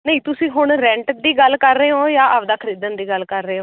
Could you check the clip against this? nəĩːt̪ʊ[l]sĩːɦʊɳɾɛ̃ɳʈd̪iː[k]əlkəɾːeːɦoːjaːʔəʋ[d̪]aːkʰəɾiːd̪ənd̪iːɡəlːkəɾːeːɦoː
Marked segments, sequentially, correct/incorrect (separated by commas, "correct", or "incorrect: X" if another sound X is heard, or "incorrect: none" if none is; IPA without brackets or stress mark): incorrect: none, incorrect: ɡ, correct